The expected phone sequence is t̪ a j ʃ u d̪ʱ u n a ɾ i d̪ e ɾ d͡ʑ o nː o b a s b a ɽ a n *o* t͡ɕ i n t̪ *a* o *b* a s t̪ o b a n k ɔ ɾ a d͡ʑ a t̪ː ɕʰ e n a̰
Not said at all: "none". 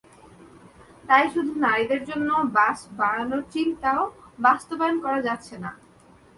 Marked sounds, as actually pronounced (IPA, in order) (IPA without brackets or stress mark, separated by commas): o, a, b